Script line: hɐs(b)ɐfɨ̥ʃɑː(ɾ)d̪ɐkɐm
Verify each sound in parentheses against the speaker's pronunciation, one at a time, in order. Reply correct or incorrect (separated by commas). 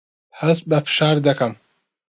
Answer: correct, correct